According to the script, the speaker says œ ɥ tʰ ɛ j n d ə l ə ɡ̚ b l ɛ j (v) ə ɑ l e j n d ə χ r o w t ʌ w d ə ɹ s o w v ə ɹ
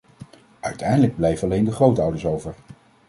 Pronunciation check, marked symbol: correct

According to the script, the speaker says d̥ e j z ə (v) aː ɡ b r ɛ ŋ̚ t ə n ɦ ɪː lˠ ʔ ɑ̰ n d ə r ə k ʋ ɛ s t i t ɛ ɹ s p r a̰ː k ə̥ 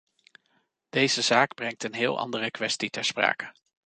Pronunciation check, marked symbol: incorrect: z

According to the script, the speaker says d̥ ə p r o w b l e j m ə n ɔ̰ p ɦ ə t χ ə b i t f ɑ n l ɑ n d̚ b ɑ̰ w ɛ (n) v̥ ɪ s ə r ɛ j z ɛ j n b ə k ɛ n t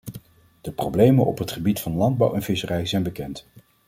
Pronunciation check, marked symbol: correct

